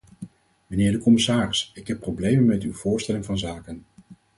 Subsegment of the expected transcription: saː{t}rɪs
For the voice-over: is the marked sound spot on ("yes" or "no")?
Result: no